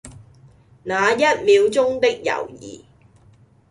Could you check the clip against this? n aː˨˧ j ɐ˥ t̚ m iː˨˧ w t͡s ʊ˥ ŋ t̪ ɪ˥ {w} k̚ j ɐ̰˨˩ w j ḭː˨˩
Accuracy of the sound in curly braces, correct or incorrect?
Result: incorrect